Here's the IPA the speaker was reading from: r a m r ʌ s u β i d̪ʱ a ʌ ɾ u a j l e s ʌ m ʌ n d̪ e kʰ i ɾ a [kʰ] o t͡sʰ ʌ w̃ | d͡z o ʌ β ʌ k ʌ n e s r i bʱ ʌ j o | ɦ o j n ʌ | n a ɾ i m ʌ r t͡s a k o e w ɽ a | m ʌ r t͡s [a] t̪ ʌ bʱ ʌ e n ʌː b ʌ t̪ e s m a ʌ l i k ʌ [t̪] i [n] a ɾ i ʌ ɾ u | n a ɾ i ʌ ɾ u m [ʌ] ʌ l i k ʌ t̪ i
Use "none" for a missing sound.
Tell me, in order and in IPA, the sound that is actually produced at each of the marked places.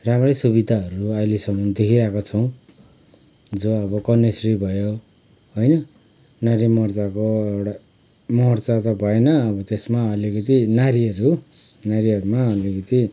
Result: k, a, t̪, n, a

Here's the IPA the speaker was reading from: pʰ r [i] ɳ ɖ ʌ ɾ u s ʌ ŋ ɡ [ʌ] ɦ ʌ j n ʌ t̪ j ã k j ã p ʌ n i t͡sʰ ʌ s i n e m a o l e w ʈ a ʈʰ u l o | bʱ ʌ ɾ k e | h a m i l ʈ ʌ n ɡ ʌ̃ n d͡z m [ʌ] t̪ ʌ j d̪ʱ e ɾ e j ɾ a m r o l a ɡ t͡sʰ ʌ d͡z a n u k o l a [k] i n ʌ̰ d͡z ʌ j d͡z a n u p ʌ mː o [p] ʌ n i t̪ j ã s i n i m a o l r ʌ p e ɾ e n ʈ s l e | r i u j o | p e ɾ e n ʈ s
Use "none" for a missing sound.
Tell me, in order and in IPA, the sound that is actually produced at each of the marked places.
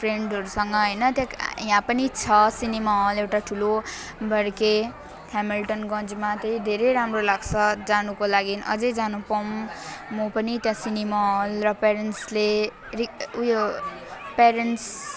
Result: e, ʌ, a, ɡ, p

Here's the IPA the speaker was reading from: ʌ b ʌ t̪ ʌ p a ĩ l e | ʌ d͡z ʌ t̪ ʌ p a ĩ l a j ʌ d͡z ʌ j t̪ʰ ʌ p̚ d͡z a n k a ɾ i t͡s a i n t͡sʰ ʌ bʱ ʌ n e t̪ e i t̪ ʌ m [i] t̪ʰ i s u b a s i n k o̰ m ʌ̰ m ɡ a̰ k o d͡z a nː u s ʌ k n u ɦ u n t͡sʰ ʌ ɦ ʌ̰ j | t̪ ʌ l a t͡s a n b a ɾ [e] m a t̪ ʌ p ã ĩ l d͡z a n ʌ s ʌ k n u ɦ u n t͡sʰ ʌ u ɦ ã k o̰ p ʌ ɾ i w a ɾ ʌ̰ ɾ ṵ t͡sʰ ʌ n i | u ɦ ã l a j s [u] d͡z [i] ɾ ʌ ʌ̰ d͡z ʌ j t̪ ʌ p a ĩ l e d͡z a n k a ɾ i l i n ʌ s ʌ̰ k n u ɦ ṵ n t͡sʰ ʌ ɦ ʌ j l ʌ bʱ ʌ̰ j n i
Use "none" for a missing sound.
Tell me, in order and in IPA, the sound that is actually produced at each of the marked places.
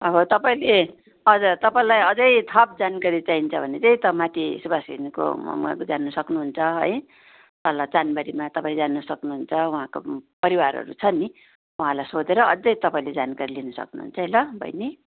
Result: a, i, o, e

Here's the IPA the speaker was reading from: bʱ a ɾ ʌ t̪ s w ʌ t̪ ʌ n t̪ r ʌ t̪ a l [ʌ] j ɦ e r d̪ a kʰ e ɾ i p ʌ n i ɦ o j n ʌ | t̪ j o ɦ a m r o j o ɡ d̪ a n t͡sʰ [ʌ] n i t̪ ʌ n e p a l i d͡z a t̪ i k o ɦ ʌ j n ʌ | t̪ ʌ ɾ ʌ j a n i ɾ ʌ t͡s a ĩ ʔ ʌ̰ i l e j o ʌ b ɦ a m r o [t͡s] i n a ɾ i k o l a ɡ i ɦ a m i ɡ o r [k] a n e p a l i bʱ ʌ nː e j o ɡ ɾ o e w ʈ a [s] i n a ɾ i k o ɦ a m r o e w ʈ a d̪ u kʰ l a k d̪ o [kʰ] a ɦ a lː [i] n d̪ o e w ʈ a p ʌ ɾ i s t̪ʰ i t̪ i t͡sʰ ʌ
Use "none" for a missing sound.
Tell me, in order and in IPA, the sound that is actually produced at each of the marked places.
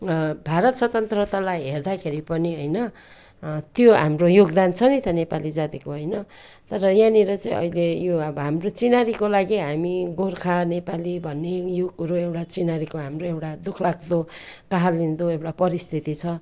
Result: a, ʌ, t͡s, kʰ, t͡s, k, i

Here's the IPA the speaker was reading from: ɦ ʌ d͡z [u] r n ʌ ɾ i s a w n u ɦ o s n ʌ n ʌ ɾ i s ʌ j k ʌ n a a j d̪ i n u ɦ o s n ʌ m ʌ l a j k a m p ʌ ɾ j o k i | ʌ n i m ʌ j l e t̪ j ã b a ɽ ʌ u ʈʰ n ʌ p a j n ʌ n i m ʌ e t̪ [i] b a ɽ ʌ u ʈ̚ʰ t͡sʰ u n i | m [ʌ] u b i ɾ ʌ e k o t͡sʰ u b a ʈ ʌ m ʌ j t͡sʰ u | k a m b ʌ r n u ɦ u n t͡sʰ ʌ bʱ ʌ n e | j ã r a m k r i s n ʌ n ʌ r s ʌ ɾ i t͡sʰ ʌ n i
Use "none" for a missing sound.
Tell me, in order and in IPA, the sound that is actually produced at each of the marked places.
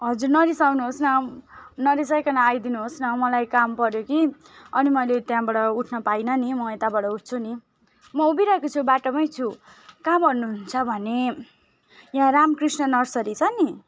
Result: u, a, ʌ

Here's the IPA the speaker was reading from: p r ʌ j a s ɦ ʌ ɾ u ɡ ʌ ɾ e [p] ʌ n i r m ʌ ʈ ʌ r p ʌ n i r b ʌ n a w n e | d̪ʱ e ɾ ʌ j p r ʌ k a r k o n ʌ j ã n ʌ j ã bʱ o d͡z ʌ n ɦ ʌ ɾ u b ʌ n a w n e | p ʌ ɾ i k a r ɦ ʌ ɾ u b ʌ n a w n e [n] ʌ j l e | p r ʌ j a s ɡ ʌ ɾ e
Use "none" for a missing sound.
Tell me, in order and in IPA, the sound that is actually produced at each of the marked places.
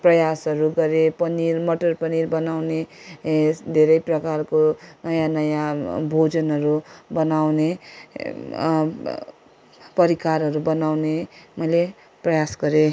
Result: p, m

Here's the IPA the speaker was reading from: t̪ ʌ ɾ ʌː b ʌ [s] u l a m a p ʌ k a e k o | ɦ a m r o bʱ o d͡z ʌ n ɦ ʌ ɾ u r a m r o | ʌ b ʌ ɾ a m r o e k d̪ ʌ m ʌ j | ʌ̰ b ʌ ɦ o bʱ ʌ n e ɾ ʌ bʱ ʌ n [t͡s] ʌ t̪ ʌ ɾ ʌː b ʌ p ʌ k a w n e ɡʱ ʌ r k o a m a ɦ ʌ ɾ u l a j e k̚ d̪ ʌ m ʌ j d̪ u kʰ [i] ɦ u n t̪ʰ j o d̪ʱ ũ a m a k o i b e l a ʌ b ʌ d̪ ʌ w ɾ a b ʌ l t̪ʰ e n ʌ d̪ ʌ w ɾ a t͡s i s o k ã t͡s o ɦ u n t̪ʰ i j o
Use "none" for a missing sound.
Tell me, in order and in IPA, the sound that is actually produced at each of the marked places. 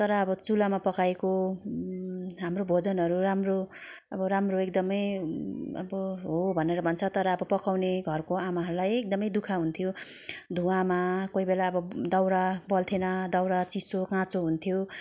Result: t͡s, t͡sʰ, a

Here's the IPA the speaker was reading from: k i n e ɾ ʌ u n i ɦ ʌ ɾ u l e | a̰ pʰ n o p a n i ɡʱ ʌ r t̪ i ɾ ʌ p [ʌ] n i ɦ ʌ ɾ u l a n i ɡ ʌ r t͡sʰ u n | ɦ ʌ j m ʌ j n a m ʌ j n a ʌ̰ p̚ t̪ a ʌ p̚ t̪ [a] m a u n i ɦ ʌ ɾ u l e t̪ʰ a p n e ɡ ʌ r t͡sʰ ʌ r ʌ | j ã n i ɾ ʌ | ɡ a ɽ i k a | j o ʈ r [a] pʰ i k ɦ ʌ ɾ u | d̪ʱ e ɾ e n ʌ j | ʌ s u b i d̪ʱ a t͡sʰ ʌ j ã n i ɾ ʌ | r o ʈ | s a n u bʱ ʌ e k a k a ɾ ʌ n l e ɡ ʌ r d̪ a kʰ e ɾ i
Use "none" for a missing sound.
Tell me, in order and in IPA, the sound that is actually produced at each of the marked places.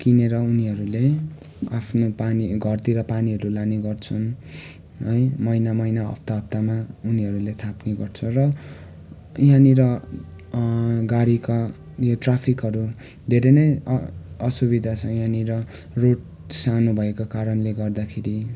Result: a, a, a

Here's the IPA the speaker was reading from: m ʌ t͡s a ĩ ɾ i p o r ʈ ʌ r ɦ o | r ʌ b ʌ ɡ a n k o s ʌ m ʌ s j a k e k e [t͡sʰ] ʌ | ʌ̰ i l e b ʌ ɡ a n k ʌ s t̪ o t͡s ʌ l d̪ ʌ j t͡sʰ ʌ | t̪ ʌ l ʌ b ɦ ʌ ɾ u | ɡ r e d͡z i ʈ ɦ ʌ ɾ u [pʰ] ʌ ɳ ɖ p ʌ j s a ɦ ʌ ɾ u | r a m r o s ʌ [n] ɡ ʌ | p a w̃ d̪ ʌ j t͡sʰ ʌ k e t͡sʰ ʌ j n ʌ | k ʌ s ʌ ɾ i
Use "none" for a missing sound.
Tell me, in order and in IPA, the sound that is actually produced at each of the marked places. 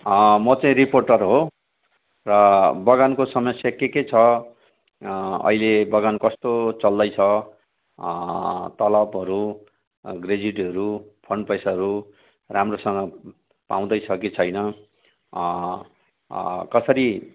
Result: t͡sʰ, pʰ, ŋ

